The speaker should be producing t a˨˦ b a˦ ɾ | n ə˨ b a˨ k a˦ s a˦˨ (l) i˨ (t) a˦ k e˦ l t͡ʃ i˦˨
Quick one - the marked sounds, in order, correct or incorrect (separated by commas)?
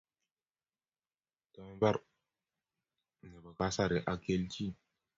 incorrect, incorrect